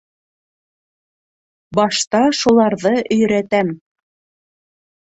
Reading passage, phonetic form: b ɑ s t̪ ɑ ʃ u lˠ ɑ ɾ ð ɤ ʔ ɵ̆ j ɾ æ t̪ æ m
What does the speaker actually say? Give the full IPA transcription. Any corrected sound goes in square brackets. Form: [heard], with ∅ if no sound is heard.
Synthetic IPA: b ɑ [ʃ] t̪ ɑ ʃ u lˠ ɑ ɾ ð ɤ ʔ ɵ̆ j ɾ æ t̪ æ m